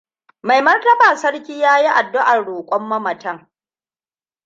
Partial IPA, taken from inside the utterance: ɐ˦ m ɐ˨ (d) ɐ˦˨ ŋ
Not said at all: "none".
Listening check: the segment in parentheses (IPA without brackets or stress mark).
t